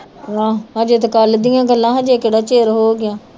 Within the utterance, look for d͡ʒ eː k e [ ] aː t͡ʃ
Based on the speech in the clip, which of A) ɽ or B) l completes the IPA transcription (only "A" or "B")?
A